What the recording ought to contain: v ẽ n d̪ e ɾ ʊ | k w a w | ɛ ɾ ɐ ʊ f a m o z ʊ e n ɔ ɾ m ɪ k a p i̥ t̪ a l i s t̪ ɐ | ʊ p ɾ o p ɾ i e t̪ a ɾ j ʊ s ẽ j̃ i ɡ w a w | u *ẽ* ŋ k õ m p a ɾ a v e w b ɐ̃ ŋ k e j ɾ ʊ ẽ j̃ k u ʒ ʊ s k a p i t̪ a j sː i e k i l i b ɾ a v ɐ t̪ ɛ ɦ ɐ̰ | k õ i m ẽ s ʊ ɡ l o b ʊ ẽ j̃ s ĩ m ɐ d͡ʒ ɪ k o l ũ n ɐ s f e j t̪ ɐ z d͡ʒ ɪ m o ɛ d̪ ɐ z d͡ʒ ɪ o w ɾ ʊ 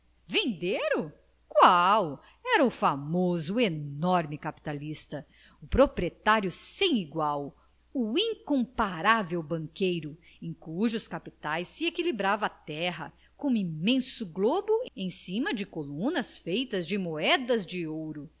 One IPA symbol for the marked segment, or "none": ĩ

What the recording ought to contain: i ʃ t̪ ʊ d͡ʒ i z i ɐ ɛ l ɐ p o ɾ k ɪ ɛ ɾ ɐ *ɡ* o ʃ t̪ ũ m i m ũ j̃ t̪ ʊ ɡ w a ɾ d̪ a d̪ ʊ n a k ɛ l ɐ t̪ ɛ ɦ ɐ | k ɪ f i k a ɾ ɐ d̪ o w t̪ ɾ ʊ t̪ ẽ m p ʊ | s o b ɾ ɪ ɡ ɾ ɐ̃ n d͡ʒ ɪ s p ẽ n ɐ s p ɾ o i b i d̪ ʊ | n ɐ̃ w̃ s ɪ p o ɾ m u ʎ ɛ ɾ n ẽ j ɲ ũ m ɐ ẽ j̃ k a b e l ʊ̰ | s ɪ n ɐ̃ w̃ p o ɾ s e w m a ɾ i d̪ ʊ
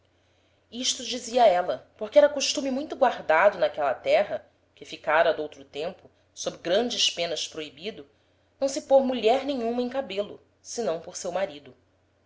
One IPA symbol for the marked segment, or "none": k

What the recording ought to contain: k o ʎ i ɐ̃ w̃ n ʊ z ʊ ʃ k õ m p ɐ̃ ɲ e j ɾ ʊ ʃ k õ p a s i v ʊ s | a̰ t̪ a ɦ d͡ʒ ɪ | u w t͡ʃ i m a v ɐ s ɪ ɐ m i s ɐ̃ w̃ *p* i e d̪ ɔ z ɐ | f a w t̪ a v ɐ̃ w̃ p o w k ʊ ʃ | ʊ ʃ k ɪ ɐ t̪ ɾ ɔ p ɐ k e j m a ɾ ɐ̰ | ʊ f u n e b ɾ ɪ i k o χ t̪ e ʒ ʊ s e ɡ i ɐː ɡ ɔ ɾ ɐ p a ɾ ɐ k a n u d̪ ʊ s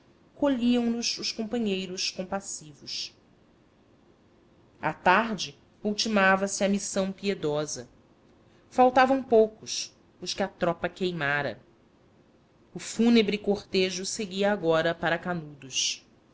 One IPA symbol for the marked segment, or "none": p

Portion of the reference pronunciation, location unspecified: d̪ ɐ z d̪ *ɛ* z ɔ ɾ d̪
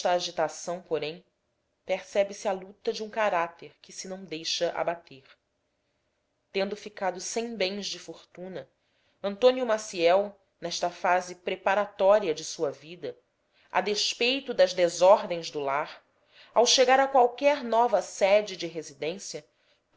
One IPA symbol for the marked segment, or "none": e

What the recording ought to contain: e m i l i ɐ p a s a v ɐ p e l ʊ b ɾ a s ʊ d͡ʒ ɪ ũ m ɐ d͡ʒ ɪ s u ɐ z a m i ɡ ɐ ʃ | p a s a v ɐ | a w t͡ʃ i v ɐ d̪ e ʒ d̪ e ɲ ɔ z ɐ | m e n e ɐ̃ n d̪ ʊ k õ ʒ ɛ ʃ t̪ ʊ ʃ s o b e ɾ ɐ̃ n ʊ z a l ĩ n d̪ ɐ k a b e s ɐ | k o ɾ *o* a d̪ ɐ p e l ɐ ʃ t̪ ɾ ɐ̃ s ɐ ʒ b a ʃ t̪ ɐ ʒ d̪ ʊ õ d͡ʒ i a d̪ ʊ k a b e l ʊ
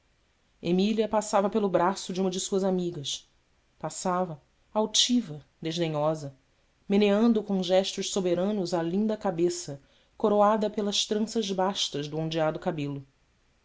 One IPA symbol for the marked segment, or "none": o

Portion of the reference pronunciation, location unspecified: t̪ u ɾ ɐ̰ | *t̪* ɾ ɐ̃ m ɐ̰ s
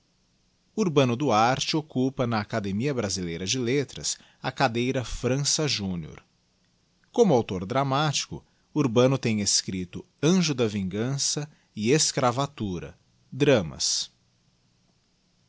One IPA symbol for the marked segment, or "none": d̪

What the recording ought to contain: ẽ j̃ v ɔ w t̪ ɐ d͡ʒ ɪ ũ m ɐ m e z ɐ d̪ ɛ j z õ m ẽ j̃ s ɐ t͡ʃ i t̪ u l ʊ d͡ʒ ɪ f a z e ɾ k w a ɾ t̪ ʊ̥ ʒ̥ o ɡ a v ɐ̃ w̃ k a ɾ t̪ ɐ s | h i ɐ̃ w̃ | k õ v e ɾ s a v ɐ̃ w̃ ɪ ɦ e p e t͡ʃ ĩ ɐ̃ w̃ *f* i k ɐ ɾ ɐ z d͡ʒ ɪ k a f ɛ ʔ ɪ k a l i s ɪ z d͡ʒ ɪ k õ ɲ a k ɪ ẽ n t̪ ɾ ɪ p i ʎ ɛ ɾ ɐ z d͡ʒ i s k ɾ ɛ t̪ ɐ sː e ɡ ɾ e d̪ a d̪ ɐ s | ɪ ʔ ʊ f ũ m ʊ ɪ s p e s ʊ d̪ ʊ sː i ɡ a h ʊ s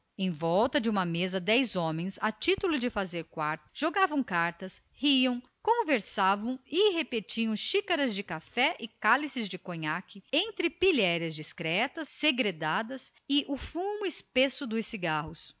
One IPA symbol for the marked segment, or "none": ʃ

